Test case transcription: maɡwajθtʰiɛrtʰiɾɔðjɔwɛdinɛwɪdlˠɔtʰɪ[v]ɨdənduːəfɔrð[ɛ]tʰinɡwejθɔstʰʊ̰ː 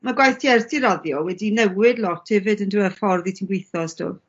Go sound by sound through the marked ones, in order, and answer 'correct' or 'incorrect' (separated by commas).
correct, incorrect